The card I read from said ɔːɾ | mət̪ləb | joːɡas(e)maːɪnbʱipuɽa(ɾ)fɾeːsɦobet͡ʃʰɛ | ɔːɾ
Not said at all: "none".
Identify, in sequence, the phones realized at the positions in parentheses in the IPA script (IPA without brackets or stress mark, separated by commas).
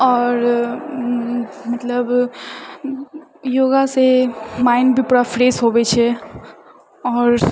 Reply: e, none